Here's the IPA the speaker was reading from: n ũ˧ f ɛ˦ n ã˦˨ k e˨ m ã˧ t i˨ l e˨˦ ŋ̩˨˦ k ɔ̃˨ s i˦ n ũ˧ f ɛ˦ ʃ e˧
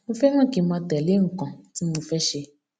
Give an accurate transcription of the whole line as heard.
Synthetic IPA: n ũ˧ f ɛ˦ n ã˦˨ k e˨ m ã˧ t ɛ˨ l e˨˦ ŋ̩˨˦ k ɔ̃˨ t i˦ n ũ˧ f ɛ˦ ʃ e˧